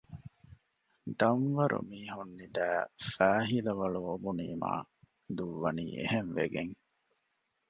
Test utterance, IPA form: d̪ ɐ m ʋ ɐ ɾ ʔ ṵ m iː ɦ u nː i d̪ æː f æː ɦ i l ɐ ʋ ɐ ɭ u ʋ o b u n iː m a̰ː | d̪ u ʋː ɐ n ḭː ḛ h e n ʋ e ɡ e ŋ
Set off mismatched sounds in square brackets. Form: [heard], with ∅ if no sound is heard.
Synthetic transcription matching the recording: d̪ ɐ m ʋ ɐ ɾ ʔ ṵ m iː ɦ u nː i d̪ æː f æː ɦ i l ɐ ʋ ɐ ɭ u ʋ o b u n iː m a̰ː | d̪ u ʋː ɐ n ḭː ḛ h e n ʋ e ɡ e ŋ